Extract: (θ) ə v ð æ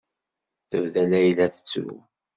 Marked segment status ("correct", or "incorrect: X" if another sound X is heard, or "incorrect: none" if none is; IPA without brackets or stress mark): correct